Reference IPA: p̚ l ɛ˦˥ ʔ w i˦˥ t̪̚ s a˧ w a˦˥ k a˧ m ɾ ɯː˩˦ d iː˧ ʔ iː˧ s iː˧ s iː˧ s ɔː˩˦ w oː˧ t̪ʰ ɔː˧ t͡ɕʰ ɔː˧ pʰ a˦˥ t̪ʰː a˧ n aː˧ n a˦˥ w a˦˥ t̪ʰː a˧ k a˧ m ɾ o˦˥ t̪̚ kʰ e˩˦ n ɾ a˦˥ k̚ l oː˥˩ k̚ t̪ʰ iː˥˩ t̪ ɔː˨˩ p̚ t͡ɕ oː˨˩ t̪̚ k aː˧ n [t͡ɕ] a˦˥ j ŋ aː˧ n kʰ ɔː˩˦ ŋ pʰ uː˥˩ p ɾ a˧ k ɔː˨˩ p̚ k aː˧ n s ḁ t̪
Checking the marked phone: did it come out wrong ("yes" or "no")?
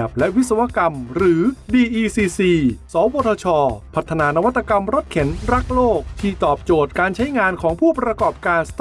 yes